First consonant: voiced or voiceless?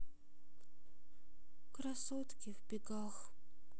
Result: voiceless